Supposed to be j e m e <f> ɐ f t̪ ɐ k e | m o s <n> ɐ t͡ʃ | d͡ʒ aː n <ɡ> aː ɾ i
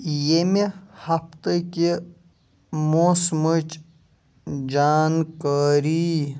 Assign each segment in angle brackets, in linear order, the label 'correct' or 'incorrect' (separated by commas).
incorrect, incorrect, incorrect